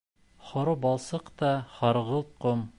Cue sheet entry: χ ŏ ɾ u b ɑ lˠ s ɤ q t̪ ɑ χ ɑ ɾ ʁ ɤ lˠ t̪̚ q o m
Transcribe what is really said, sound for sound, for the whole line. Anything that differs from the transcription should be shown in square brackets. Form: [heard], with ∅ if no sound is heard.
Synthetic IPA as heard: χ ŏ ɾ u b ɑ lˠ s ɤ q t̪ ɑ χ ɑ ɾ ʁ ɤ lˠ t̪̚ q o m